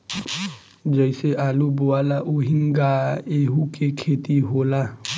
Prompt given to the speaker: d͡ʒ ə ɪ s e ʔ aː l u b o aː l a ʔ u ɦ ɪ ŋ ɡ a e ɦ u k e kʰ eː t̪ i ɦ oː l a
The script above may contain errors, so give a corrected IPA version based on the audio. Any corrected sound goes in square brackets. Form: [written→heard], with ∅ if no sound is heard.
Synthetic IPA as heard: d͡ʒ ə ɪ s e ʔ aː l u b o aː l a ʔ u ɦ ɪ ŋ ɡ a e ɦ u k e kʰ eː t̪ i ɦ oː l a